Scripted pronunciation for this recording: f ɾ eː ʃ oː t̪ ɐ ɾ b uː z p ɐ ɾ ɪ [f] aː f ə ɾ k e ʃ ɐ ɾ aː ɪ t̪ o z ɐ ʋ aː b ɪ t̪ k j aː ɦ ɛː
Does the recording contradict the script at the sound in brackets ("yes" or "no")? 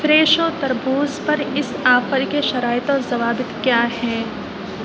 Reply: yes